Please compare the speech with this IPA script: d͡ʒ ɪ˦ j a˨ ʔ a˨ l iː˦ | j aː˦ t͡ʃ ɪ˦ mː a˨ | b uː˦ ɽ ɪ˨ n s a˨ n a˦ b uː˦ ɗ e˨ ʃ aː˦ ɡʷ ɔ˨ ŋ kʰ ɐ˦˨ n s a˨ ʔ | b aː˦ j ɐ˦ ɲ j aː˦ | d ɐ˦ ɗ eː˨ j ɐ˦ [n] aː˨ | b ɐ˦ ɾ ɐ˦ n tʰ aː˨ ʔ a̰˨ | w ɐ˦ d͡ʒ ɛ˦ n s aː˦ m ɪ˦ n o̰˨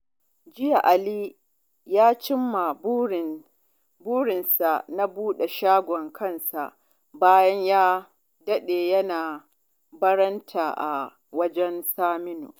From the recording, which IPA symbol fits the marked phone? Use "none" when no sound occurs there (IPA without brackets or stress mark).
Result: n